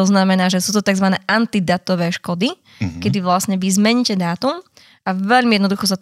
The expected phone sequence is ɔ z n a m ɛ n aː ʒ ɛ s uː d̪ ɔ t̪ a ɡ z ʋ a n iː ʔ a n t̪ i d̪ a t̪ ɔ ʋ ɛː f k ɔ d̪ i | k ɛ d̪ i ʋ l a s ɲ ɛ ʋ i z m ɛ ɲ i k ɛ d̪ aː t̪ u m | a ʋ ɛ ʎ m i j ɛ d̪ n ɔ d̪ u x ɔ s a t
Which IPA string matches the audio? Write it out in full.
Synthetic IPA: ɔ z n a m ɛ n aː ʒ ɛ s uː t̪ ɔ t̪ a ɡ z ʋ a n ɛː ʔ a n t̪ i d̪ a t̪ ɔ ʋ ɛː ʃ k ɔ d̪ i | k ɛ d̪ i ʋ l a s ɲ ɛ ʋ i z m ɛ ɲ i c ɛ d̪ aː t̪ u m | a ʋ ɛ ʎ m i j ɛ d̪ n ɔ d̪ u x ɔ s a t